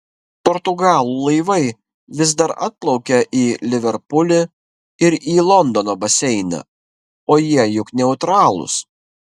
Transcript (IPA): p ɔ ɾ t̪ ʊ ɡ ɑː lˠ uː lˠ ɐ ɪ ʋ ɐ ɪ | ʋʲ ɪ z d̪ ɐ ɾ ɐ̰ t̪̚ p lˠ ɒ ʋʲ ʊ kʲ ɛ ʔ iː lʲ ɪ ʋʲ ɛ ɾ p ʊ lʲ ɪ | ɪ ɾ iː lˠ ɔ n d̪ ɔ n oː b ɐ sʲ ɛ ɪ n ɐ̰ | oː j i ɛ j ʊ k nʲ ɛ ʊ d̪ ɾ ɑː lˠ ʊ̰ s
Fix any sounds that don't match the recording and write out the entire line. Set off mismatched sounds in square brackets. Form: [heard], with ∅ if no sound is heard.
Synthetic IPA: p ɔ ɾ t̪ ʊ ɡ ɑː lˠ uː lˠ ɐ ɪ ʋ ɐ ɪ | ʋʲ ɪ z d̪ ɐ ɾ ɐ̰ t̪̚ p lˠ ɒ [∅] ʊ kʲ ɛ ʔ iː lʲ ɪ ʋʲ ɛ ɾ p ʊ lʲ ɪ | ɪ ɾ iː lˠ ɔ n d̪ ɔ n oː b ɐ sʲ ɛ ɪ n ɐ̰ | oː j i ɛ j ʊ k nʲ ɛ ʊ [t̪] ɾ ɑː lˠ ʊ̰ s

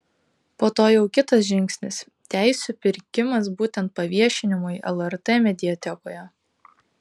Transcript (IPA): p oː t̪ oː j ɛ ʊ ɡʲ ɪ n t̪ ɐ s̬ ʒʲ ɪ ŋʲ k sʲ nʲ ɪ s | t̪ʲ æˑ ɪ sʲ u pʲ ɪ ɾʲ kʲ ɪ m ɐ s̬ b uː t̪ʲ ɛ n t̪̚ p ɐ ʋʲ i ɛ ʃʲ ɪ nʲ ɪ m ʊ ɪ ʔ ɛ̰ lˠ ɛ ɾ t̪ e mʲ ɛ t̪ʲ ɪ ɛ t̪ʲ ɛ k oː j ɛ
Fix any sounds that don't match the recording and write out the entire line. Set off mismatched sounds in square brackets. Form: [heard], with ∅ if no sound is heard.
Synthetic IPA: p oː t̪ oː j ɛ ʊ [kʲ] ɪ [∅] t̪ ɐ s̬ ʒʲ ɪ ŋʲ k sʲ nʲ ɪ s | t̪ʲ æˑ ɪ sʲ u pʲ ɪ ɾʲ kʲ ɪ m ɐ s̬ b uː t̪ʲ ɛ n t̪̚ p ɐ ʋʲ i ɛ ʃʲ ɪ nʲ ɪ m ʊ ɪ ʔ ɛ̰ lˠ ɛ ɾ t̪ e mʲ ɛ [d̪ʲ] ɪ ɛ t̪ʲ ɛ k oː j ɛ

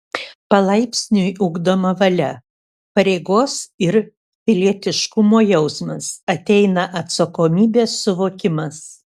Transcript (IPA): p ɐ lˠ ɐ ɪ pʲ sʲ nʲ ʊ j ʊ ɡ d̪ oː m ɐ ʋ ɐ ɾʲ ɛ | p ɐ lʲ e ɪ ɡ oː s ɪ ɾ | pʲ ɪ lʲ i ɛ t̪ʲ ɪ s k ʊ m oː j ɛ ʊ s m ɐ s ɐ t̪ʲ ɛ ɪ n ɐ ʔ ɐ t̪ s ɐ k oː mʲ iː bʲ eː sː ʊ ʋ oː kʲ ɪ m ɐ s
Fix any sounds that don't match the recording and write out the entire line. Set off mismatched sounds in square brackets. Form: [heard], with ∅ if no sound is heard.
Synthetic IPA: p ɐ lˠ ɐ ɪ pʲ sʲ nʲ ʊ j ʊ ɡ d̪ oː m ɐ ʋ ɐ [lʲ] ɛ | p ɐ [ɾʲ] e ɪ ɡ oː s ɪ ɾ | pʲ ɪ lʲ i ɛ t̪ʲ ɪ [ʃ] k ʊ m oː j ɛ ʊ s m ɐ s ɐ t̪ʲ ɛ ɪ n ɐ ʔ ɐ t̪ s ɐ k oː mʲ iː bʲ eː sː ʊ ʋ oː kʲ ɪ m ɐ s

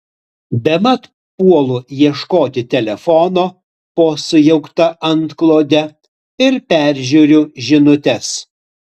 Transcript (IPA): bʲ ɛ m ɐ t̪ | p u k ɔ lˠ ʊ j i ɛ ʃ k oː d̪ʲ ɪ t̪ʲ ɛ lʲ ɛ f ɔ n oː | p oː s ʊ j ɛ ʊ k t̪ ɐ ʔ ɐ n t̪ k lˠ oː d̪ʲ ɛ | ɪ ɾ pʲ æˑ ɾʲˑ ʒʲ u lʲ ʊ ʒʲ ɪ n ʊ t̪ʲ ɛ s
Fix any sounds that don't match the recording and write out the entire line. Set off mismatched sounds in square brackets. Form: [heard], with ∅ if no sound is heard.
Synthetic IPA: bʲ ɛ m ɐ t̪ | p u [∅] ɔ lˠ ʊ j i ɛ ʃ k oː [t̪ʲ] ɪ t̪ʲ ɛ lʲ ɛ f ɔ n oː | p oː s ʊ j ɛ ʊ k t̪ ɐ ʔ ɐ n t̪ k lˠ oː d̪ʲ ɛ | ɪ ɾ pʲ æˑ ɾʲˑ ʒʲ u [ɾʲ] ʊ ʒʲ ɪ n ʊ t̪ʲ ɛ s

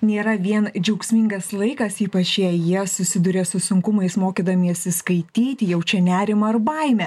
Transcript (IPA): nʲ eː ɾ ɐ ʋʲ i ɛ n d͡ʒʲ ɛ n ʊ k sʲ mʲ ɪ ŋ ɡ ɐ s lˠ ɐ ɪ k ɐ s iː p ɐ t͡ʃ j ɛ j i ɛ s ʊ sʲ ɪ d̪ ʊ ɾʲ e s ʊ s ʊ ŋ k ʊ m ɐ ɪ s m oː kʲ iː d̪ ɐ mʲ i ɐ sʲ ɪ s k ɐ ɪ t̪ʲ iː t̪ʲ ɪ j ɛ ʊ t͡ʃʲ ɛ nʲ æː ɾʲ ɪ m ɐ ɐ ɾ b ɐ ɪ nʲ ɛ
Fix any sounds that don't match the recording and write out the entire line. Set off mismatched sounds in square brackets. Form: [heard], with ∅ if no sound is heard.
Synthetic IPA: nʲ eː ɾ ɐ ʋʲ i ɛ n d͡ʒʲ ɛ [∅] ʊ k sʲ mʲ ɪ ŋ ɡ ɐ s lˠ ɐ ɪ k ɐ s iː p ɐ t͡ʃ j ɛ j i ɛ s ʊ sʲ ɪ d̪ ʊ ɾʲ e s ʊ s ʊ ŋ k ʊ m ɐ ɪ s m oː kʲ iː d̪ ɐ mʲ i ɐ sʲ ɪ s k ɐ ɪ t̪ʲ iː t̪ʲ ɪ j ɛ ʊ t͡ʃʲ ɛ nʲ æː ɾʲ ɪ m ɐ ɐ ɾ b ɐ ɪ [mʲ] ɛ

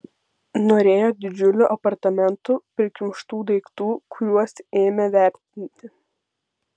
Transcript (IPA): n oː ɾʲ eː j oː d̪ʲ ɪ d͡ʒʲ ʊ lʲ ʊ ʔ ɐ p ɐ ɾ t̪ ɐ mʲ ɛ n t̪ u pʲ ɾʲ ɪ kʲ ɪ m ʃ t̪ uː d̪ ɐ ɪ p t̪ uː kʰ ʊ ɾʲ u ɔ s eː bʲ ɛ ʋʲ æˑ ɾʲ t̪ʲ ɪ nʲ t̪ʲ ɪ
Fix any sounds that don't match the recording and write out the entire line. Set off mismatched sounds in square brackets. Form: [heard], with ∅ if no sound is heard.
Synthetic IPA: n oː ɾʲ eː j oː d̪ʲ ɪ d͡ʒʲ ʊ lʲ ʊ ʔ ɐ p ɐ ɾ t̪ ɐ mʲ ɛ n t̪ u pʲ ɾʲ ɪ kʲ ɪ m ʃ t̪ uː d̪ ɐ ɪ [k] t̪ uː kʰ ʊ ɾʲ u ɔ s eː [mʲ] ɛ ʋʲ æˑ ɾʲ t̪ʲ ɪ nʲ t̪ʲ ɪ

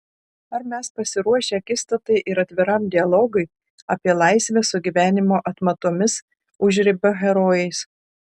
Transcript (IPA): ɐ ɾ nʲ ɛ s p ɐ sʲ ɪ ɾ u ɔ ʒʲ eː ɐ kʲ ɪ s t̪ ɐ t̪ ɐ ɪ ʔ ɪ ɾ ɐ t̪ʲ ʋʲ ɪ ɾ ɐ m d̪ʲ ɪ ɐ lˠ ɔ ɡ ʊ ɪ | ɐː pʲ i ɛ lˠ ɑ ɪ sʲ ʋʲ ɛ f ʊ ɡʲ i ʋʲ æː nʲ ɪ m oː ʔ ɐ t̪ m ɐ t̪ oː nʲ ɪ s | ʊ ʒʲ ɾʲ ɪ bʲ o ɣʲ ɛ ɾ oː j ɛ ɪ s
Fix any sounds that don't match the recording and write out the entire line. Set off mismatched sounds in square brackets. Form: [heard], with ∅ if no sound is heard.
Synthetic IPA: ɐ ɾ [mʲ] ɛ s p ɐ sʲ ɪ ɾ u ɔ [ʃʲ] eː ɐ kʲ ɪ s t̪ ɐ t̪ ɐ ɪ ʔ ɪ ɾ ɐ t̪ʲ ʋʲ ɪ ɾ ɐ m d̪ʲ ɪ ɐ lˠ ɔ ɡ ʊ ɪ | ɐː pʲ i ɛ lˠ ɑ ɪ sʲ ʋʲ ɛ [s] ʊ ɡʲ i ʋʲ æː nʲ ɪ m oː ʔ ɐ t̪ m ɐ t̪ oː [mʲ] ɪ s | ʊ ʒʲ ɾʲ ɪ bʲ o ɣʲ ɛ ɾ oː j ɛ ɪ s

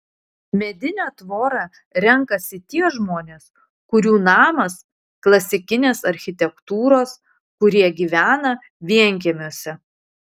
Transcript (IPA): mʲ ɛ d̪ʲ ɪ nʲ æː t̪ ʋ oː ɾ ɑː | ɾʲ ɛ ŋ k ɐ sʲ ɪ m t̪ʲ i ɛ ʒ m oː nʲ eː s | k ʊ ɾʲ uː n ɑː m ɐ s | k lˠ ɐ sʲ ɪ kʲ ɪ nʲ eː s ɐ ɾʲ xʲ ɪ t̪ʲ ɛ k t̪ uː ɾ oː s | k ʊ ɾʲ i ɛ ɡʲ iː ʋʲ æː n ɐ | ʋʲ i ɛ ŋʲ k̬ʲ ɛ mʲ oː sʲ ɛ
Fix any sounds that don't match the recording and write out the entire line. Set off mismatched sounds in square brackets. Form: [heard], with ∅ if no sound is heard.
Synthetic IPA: mʲ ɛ d̪ʲ ɪ nʲ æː t̪ ʋ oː ɾ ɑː | ɾʲ ɛ ŋ k ɐ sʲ ɪ [∅] t̪ʲ i ɛ ʒ m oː nʲ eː s | k ʊ ɾʲ uː n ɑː m ɐ s | k lˠ ɐ sʲ ɪ kʲ ɪ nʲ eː s ɐ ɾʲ xʲ ɪ t̪ʲ ɛ k t̪ uː ɾ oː s | k ʊ ɾʲ i ɛ ɡʲ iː ʋʲ æː n ɐ | ʋʲ i ɛ ŋʲ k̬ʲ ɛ mʲ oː sʲ ɛ

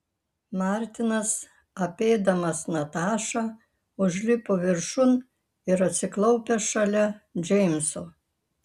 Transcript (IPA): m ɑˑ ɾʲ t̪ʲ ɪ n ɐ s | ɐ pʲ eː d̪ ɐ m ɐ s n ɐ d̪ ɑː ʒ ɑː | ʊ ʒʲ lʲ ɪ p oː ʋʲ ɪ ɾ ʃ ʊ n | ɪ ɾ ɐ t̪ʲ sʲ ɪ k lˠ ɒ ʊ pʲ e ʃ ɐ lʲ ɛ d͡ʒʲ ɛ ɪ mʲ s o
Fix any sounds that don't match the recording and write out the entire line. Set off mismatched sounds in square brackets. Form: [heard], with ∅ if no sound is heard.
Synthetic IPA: m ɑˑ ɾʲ t̪ʲ ɪ n ɐ s | ɐ pʲ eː d̪ ɐ m ɐ s n ɐ [t̪] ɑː [ʃ] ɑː | ʊ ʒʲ lʲ ɪ p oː ʋʲ ɪ ɾ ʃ ʊ n | ɪ ɾ ɐ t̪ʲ sʲ ɪ k lˠ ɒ ʊ pʲ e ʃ ɐ lʲ ɛ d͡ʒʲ ɛ ɪ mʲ s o

